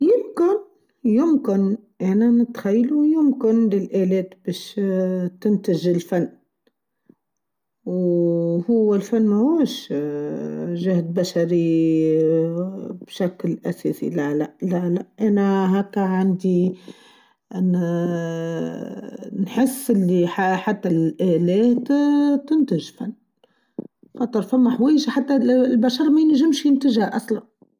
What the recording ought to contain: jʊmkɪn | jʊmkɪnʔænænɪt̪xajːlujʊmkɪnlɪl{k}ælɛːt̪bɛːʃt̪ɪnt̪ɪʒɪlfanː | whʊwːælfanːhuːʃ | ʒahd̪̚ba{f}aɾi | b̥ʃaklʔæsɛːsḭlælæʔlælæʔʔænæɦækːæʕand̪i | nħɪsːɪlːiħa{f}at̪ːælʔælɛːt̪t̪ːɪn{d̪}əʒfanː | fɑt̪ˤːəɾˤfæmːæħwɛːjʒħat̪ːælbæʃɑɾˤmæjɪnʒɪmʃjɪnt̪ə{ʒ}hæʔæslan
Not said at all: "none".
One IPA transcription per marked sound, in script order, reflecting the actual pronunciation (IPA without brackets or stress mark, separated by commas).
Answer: ʔ, ʃ, ħ, t̪, ʒ